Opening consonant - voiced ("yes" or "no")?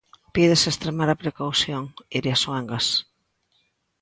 no